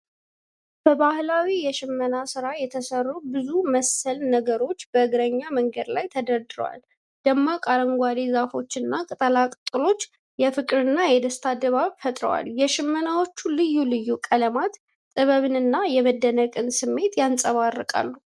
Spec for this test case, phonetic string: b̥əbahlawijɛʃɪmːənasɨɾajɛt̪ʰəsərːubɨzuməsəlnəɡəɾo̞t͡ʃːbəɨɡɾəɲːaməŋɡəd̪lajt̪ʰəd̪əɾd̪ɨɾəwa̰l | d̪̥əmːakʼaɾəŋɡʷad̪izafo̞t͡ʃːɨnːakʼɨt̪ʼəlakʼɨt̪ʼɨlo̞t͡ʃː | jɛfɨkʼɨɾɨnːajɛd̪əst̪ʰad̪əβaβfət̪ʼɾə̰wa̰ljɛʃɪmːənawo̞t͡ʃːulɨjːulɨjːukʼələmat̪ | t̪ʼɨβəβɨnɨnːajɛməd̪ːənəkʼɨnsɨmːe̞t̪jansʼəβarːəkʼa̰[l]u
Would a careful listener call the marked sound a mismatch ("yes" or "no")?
yes